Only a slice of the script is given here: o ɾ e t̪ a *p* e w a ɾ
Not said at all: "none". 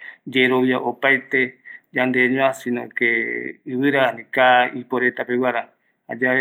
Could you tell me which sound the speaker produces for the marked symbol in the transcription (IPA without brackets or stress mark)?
p